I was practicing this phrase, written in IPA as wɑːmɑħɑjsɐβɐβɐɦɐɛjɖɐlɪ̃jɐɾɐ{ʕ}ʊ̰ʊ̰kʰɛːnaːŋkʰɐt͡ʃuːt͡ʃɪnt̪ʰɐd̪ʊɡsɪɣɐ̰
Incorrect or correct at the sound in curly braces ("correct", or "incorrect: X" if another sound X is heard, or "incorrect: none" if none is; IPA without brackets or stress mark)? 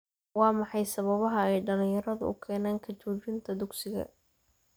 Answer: incorrect: ð